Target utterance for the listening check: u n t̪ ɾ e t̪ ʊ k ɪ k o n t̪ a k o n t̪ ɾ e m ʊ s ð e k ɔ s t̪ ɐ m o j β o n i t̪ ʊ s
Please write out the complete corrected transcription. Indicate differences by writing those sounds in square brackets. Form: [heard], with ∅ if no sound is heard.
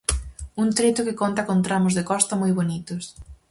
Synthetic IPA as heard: u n t̪ ɾ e t̪ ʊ k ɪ k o n t̪ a k o n t̪ ɾ [a] m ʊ [z] ð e k ɔ s t̪ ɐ m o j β o n i t̪ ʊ s